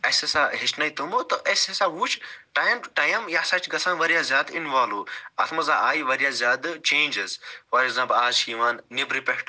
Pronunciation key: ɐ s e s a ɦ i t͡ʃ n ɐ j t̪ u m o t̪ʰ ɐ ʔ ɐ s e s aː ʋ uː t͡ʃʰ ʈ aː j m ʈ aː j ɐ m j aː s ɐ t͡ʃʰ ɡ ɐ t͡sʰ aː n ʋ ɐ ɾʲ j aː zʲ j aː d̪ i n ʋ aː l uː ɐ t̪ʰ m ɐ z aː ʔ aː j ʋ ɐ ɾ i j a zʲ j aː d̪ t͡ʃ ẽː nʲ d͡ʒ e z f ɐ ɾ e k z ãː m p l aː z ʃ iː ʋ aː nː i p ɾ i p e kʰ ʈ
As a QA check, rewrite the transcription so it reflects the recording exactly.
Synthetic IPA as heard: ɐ s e s a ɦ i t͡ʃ n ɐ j t̪ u m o t̪ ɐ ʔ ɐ s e s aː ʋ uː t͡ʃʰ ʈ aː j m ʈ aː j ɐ m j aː s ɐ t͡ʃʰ ɡ ɐ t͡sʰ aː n ʋ ɐ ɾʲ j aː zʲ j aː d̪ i n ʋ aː l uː ɐ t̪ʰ m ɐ z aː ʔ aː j ʋ ɐ ɾ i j a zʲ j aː d̪ t͡ʃ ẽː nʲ d͡ʒ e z f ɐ ɾ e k z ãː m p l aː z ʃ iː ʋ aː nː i b ɾ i p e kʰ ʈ